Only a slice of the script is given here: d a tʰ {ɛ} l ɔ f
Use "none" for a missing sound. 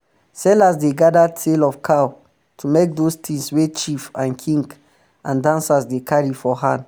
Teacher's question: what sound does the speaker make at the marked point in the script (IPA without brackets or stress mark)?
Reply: e